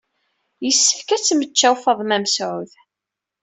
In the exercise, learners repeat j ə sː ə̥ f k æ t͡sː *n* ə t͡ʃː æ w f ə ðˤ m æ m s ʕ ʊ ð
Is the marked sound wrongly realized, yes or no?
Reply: yes